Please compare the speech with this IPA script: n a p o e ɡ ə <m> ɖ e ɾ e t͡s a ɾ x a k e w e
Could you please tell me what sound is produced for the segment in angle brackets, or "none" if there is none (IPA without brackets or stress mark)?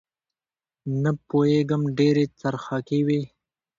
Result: m